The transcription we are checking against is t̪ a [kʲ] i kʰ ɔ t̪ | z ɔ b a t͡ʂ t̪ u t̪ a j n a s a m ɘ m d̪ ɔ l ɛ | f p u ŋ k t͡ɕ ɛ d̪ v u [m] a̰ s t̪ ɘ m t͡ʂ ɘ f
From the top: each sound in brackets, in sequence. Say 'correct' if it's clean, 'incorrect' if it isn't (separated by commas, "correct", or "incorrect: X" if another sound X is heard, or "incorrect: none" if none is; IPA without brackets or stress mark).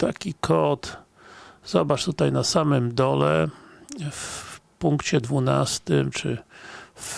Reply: correct, incorrect: n